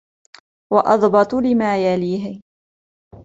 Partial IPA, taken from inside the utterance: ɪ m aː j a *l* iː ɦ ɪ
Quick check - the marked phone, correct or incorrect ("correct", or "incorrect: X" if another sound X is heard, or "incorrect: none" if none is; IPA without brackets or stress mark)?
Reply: correct